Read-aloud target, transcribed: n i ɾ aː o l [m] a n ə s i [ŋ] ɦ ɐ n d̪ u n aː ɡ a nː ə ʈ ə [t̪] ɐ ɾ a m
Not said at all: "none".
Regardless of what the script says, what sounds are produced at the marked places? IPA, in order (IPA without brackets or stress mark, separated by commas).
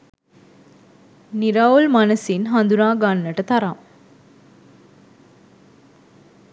m, n, t̪